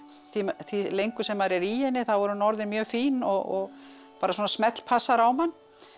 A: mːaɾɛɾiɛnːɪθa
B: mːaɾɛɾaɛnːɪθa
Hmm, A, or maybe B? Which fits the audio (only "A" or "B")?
A